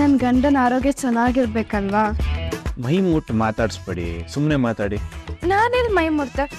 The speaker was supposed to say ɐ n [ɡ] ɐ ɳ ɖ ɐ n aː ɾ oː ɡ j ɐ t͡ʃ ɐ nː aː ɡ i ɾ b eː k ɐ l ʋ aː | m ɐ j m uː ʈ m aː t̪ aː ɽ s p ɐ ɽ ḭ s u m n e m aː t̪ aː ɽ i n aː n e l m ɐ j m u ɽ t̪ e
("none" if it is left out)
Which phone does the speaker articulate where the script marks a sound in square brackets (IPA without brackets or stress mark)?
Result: ɡ